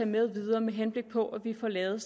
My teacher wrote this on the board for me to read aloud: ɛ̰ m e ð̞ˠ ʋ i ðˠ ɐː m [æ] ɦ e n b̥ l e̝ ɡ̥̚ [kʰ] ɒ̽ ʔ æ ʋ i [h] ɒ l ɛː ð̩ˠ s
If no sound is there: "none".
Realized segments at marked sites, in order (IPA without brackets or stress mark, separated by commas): e, pʰ, f